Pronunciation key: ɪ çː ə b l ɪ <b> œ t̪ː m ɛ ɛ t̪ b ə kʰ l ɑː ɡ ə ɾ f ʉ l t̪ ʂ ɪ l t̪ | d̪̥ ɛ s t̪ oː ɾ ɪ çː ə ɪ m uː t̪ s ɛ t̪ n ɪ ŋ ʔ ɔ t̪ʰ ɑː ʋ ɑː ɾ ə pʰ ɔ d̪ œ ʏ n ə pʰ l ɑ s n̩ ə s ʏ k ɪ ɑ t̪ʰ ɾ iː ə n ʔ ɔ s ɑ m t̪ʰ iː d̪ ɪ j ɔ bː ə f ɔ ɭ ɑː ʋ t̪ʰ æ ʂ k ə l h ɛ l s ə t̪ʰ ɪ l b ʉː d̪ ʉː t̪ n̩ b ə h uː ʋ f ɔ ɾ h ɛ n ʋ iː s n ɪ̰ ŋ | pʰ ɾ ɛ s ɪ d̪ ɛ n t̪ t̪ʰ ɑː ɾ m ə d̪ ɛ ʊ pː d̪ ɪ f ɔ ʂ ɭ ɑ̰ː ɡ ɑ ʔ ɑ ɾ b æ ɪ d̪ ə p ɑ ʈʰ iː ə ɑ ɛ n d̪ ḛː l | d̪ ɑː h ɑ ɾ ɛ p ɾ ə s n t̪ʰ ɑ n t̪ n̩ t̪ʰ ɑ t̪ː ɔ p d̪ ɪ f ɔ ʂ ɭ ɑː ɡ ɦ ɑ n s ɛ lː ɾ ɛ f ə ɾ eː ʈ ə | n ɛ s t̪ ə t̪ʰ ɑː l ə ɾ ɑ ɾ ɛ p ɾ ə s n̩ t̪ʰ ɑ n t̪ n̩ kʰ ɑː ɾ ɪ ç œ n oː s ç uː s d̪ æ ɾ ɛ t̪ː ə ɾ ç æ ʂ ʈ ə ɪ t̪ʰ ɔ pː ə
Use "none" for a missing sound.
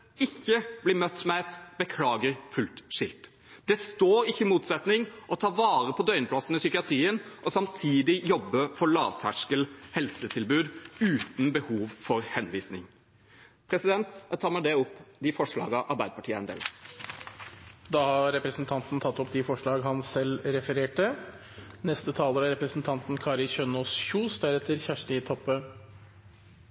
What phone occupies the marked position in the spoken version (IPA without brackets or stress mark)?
m